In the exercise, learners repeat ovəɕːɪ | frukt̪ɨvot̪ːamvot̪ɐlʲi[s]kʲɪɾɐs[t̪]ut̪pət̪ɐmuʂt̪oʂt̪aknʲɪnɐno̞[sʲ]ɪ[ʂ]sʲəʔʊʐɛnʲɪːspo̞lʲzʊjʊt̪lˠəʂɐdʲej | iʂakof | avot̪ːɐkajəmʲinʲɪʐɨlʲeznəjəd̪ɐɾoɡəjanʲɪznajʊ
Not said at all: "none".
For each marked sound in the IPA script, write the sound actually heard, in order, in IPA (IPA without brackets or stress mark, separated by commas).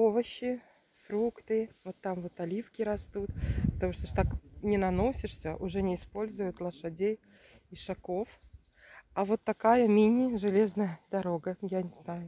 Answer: f, t̪, sʲ, ʂ